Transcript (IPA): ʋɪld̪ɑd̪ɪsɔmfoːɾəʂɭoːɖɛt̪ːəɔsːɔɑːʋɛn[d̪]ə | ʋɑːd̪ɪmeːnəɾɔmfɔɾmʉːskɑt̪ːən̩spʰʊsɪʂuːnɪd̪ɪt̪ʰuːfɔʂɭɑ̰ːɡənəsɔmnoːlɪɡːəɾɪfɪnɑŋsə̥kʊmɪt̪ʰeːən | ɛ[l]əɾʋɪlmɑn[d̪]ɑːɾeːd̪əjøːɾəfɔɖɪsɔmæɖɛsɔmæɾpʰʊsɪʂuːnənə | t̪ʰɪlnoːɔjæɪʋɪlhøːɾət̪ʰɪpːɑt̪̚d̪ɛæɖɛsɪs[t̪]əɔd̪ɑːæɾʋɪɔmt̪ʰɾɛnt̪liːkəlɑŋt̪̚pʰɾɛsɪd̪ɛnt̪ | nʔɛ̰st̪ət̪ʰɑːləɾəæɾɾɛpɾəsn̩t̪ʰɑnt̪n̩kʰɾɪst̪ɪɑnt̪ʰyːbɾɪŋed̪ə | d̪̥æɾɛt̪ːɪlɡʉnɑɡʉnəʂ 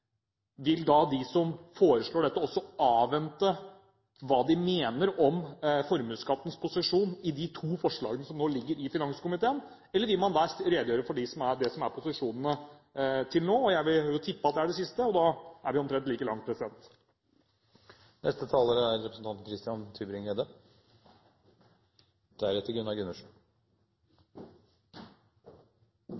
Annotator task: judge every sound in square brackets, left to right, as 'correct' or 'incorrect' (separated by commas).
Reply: incorrect, incorrect, correct, correct